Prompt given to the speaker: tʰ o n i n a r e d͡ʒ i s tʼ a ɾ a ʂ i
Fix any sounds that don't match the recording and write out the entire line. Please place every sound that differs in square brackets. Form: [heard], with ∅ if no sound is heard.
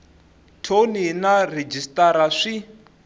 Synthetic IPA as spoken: tʰ o n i n a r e d͡ʒ i s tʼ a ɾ a ʂ i